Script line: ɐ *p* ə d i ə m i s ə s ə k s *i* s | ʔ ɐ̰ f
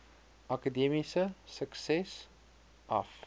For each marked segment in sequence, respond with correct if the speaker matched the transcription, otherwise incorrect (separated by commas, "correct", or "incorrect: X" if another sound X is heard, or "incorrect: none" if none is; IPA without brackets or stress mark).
incorrect: k, incorrect: ɛ